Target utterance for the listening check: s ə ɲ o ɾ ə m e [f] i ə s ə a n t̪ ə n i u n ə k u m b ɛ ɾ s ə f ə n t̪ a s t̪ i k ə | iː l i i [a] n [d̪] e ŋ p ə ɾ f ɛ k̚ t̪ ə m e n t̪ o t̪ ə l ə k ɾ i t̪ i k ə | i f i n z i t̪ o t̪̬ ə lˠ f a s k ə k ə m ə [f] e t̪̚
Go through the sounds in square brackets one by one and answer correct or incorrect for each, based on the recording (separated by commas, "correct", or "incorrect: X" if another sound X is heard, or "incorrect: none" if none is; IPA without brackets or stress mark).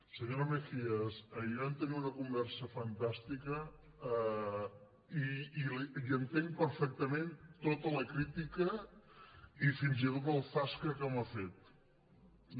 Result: correct, incorrect: ə, incorrect: t̪, correct